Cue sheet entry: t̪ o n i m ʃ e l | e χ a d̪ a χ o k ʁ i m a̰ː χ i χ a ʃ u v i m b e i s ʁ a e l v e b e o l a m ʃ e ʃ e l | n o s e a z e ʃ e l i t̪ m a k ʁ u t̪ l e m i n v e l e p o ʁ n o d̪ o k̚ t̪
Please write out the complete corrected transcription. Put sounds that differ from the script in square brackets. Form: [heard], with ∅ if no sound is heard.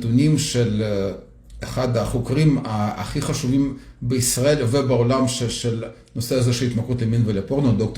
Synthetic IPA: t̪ [u] n i m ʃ e l | e χ a d̪ a χ o k ʁ i m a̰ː χ i χ a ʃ u v i m b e i s ʁ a e l v e b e o l a m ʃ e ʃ e l | n o s e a z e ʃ e l i t̪ m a k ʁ u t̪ l e m i n v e l e p o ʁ n o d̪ o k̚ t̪